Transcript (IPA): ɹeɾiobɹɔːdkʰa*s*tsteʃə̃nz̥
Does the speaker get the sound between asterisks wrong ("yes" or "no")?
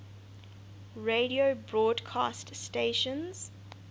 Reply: no